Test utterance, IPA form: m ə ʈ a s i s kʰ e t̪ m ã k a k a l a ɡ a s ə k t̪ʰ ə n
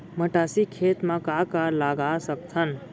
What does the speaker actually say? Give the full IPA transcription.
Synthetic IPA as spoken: m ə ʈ a s i kʰ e t̪ m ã k a k a l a ɡ a s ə k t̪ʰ ə n